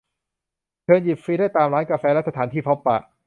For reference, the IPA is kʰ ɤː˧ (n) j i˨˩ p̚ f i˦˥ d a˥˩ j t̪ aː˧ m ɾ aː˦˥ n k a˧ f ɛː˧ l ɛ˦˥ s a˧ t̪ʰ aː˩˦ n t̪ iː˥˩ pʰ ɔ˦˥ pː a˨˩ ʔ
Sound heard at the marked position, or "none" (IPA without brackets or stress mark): n